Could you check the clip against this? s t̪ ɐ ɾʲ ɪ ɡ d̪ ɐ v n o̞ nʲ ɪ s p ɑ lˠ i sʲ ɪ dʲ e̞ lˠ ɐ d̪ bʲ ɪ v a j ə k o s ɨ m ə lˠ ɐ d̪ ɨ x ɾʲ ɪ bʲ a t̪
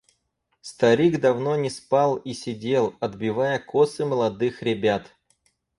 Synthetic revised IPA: s t̪ ɐ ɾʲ i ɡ d̪ ɐ v n o̞ nʲ ɪ s p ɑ lˠ i sʲ ɪ dʲ e̞ lˠ ɐ d̪ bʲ ɪ v a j ə k o s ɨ m ə lˠ ɐ d̪ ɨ x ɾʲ ɪ bʲ a t̪